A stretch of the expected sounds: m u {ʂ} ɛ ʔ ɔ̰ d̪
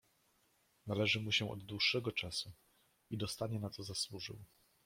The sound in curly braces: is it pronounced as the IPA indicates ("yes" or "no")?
no